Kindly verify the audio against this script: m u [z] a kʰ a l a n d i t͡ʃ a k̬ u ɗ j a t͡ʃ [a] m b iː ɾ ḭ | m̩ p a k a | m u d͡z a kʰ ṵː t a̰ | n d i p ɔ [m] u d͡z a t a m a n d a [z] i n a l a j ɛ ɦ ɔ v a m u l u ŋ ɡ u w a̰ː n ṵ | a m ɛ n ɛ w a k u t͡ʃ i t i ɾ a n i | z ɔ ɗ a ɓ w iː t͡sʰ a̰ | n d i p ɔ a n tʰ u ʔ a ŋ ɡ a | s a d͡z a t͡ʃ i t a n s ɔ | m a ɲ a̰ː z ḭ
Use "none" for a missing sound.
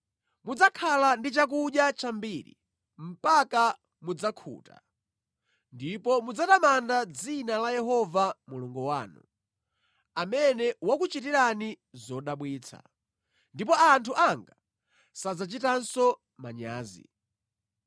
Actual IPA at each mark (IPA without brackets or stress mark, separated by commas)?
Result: d͡z, a, m, d͡z